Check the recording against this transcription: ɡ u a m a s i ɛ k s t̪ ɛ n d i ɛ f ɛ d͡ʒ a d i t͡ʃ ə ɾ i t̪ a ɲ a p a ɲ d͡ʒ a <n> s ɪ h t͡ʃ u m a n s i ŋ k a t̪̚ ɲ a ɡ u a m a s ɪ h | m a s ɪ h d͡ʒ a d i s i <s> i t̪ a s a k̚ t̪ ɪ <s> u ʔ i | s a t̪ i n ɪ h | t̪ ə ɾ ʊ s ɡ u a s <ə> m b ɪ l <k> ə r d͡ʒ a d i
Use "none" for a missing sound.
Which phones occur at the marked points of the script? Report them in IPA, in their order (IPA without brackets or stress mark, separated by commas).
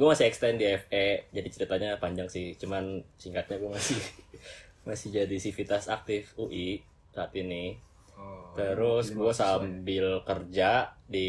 ŋ, f, f, a, k